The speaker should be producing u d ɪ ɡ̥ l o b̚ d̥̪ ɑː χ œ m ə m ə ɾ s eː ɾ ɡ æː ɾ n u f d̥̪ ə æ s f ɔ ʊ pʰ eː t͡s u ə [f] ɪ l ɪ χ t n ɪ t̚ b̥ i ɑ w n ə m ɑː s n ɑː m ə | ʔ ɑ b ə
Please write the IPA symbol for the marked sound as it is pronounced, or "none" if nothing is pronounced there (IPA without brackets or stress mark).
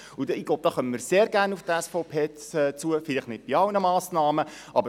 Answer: f